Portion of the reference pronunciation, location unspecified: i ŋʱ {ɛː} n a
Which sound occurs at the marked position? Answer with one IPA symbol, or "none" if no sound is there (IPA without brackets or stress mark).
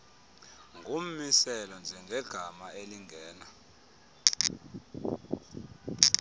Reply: ɛː